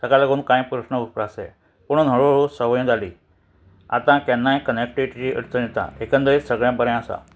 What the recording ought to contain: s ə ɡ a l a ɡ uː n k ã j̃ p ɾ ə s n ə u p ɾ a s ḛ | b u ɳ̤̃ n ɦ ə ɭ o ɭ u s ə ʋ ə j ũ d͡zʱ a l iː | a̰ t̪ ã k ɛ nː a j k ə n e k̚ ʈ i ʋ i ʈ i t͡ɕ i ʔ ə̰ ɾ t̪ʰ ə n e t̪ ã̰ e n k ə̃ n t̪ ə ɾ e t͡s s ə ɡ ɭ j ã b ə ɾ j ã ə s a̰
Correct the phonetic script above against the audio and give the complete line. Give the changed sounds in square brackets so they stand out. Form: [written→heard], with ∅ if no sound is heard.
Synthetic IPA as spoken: s ə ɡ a l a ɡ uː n k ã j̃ p ɾ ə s n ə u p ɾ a s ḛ | [b→p] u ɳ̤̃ n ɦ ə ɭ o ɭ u s ə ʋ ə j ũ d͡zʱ a l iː | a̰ t̪ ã k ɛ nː a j k ə n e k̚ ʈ i ʋ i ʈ i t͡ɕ i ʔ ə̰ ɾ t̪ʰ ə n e t̪ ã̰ e [n→∅] k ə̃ n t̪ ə ɾ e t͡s s ə ɡ ɭ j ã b ə ɾ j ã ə s a̰